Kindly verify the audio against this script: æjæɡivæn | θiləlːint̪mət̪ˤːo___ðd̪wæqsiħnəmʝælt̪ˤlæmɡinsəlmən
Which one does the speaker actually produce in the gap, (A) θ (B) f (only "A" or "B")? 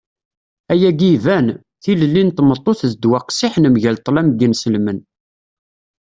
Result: A